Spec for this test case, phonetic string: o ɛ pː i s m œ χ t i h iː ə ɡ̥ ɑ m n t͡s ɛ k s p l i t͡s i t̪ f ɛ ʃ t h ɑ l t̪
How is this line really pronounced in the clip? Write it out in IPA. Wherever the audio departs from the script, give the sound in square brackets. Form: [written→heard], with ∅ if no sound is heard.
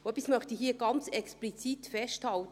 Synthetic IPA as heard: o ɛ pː i s m œ χ t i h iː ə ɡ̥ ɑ [m→∅] n t͡s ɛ k s p l i t͡s i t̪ f ɛ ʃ t h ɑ l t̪